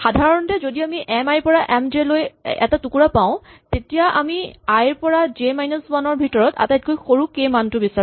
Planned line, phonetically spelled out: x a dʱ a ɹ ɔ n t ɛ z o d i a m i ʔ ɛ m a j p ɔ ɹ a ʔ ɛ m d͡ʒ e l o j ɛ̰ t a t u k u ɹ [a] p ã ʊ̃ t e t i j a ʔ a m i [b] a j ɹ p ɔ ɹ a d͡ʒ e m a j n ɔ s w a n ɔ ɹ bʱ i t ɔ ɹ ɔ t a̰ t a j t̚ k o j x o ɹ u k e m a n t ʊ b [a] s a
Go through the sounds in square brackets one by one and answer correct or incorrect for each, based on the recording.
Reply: correct, incorrect, incorrect

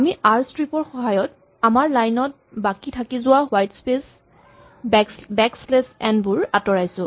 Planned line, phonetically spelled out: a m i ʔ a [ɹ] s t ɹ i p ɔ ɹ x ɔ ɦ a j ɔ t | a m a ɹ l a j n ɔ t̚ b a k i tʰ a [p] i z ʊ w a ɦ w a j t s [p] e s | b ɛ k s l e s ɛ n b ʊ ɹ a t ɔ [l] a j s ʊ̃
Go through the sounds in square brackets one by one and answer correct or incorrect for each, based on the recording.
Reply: correct, incorrect, correct, incorrect

